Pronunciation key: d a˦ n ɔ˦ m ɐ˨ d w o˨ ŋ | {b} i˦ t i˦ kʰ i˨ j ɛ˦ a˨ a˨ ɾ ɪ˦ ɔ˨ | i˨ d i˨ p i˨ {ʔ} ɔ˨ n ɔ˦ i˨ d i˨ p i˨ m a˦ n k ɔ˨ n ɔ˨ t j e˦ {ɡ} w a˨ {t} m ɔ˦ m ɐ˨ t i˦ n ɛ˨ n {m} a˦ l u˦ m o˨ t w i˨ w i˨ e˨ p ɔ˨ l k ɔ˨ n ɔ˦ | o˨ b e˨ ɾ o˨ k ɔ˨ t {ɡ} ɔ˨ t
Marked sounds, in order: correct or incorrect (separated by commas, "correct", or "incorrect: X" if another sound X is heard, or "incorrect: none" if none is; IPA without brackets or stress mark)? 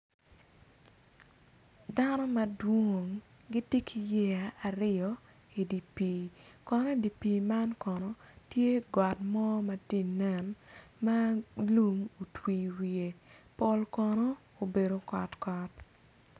incorrect: ɡ, incorrect: k, correct, correct, correct, incorrect: k